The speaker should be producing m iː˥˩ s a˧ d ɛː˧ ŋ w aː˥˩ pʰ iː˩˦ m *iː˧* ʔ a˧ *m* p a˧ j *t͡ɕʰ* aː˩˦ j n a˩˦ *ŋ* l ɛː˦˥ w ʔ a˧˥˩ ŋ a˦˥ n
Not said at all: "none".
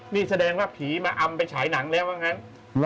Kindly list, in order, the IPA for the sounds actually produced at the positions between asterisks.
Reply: aː˧, m, t͡ɕʰ, ŋ

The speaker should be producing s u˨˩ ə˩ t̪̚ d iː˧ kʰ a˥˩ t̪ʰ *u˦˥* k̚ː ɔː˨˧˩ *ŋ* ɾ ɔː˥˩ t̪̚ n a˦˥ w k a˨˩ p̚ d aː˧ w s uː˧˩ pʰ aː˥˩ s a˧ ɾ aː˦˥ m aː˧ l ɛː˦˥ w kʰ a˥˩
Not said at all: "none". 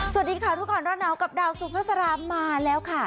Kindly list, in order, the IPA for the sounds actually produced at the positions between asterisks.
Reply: u˦˥, n

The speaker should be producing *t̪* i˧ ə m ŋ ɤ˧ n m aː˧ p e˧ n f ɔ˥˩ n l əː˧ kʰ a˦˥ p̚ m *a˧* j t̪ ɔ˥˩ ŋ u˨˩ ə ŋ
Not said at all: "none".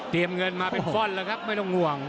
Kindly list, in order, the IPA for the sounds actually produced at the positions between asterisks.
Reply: t̪, a˥˩

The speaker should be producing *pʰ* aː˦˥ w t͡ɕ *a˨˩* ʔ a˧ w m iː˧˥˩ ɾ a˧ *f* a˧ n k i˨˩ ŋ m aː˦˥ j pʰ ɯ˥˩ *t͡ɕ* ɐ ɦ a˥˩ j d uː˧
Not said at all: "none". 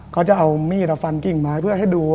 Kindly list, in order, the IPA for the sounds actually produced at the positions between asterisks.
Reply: kʰ, a˨˩, f, none

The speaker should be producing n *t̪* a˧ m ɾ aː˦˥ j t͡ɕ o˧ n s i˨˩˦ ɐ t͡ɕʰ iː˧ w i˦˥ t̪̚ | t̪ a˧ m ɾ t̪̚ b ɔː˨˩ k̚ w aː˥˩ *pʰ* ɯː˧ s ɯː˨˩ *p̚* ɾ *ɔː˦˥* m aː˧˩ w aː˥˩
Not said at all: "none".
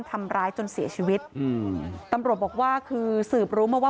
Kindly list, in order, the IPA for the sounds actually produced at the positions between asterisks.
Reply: t̪ʰ, kʰ, p̚, uː˦˥

